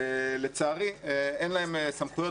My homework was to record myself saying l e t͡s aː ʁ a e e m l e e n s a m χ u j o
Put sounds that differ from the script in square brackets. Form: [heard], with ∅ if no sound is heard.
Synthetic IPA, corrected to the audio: l e t͡s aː ʁ [i] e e [n] l [a] e [m] s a m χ u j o